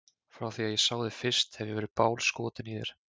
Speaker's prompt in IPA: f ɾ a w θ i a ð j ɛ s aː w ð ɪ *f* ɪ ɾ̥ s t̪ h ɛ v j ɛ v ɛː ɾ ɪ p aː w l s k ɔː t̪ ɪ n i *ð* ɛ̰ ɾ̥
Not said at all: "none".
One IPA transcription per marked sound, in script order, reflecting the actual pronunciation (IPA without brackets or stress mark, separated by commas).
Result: f, ð